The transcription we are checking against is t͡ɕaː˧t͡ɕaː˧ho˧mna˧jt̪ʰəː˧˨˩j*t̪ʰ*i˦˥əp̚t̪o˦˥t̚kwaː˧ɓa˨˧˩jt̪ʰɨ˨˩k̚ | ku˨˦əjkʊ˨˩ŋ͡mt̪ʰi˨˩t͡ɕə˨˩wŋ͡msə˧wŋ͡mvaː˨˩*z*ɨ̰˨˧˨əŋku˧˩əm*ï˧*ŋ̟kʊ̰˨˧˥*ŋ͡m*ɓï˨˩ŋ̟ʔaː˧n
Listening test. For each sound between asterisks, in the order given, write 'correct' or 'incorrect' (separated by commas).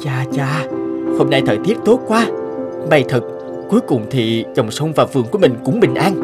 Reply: incorrect, incorrect, incorrect, correct